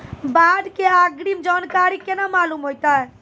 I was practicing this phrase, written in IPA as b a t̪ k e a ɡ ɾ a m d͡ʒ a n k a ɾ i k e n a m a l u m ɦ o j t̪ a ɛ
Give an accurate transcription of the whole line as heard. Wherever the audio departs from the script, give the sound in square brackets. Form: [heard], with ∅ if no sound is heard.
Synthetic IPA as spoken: b a [d̪] k e a ɡ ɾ [i] m d͡ʒ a n k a ɾ i k e n a m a l u m ɦ o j t̪ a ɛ